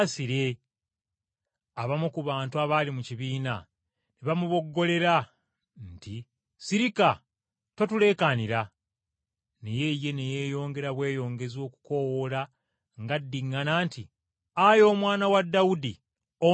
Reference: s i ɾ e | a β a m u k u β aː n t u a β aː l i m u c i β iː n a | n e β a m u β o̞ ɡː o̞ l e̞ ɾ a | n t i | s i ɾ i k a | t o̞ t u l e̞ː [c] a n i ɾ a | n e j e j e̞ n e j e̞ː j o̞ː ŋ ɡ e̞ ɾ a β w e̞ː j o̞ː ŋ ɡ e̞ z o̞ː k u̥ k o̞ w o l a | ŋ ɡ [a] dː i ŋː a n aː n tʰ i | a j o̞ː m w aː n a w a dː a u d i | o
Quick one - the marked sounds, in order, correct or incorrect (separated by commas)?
incorrect, correct